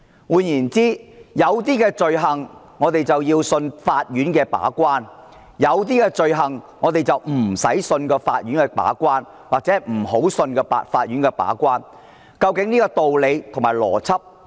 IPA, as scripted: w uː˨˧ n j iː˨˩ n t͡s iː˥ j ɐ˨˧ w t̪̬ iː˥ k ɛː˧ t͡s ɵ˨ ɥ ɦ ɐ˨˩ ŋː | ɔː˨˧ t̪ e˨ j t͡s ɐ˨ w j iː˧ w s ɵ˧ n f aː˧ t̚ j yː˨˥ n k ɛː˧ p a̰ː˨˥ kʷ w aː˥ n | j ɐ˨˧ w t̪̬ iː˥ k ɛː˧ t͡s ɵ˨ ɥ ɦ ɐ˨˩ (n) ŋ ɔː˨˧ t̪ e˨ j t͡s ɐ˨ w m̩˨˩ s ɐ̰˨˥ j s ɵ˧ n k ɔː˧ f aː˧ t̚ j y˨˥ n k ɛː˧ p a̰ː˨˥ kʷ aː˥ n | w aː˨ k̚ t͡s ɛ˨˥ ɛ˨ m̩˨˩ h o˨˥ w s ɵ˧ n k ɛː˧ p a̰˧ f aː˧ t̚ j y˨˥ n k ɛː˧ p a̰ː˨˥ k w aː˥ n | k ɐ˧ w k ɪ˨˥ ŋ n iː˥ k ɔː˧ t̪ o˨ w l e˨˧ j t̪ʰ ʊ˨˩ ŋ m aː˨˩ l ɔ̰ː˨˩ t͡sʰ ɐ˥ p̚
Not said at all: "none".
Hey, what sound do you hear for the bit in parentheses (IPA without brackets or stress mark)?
ŋ